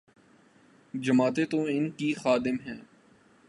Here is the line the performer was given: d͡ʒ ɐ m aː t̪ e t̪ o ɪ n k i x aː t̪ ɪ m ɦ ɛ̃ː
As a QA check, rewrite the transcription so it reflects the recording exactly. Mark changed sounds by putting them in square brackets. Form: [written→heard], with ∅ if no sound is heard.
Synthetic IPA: d͡ʒ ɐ m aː t̪ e t̪ o ɪ n k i x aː [t̪→d̪] ɪ m ɦ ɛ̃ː

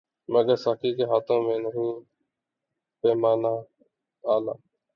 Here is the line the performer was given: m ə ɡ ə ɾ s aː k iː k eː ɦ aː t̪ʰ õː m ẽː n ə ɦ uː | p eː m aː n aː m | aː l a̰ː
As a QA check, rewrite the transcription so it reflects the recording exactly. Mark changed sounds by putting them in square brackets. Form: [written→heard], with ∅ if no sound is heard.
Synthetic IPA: m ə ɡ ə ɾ s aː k iː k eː ɦ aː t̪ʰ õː m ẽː n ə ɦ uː | p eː m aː n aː [m→∅] | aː l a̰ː

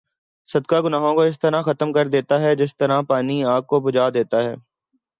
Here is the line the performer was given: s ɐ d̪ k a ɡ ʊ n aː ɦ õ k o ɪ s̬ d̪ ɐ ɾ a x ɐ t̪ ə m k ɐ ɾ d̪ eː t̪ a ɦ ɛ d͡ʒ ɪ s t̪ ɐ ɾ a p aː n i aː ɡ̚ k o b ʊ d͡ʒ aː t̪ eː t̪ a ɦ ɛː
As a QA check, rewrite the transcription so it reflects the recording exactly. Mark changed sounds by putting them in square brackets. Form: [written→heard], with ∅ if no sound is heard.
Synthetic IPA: s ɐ d̪ k a ɡ ʊ n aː ɦ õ k o ɪ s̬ [d̪→t̪] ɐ ɾ a x ɐ t̪ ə m k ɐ ɾ d̪ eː t̪ a ɦ ɛ d͡ʒ ɪ s t̪ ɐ ɾ a p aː n i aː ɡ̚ k o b ʊ d͡ʒ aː [t̪→d̪] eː t̪ a ɦ ɛː

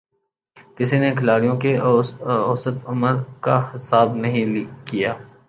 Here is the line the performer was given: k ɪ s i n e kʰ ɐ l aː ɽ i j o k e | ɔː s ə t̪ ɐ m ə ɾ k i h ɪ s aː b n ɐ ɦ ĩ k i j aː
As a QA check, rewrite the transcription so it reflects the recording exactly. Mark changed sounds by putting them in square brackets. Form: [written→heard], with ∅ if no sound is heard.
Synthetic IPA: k ɪ s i n e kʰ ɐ l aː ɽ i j [o→õ] k e | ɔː s ə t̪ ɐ m ə ɾ k [i→a] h ɪ s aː b n ɐ ɦ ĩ k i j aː

